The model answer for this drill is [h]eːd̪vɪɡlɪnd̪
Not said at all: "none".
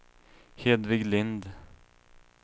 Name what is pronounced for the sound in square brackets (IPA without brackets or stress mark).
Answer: h